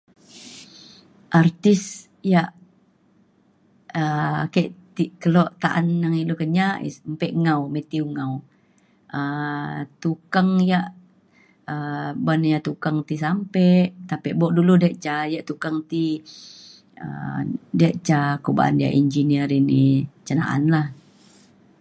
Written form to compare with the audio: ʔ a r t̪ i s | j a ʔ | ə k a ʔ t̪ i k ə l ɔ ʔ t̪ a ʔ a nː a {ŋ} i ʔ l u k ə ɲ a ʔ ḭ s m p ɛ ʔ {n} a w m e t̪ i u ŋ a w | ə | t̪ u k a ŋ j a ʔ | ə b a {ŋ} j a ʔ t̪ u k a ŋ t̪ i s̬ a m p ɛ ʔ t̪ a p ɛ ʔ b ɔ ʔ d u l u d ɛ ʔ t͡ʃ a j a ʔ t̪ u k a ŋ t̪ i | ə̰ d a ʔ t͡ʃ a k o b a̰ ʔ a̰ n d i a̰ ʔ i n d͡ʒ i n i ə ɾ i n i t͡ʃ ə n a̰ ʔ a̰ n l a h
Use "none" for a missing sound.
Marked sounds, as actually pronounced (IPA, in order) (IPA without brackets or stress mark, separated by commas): ŋ, ŋ, n